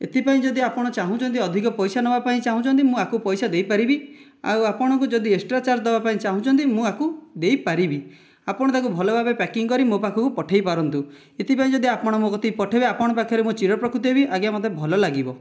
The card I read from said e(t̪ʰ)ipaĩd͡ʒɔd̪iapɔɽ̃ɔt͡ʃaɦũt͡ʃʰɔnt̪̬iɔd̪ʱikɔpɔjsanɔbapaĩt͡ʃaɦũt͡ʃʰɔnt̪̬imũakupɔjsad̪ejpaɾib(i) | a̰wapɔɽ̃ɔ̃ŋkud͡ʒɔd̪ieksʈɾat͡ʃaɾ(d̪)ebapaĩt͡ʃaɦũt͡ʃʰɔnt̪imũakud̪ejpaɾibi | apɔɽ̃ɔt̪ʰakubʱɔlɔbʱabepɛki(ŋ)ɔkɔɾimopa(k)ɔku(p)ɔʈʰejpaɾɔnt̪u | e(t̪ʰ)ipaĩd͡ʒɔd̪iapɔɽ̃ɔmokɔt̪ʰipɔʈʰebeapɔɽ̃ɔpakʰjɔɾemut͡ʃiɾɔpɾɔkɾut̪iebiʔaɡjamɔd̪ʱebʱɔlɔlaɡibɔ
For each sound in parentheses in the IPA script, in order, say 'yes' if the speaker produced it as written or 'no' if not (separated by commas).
no, yes, yes, yes, no, yes, no